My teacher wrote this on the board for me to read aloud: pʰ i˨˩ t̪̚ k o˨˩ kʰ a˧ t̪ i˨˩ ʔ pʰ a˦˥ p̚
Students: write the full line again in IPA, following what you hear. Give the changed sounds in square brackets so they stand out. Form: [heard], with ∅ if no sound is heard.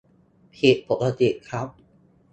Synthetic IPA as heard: pʰ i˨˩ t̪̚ [p] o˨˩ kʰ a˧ t̪ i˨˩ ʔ [kʰ] a˦˥ p̚